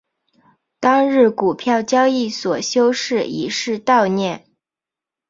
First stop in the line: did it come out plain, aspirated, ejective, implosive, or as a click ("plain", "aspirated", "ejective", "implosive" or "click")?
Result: plain